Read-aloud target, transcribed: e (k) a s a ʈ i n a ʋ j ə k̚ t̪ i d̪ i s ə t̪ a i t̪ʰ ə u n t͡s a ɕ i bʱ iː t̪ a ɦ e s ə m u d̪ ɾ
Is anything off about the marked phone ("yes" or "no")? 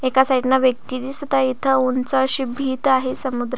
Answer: no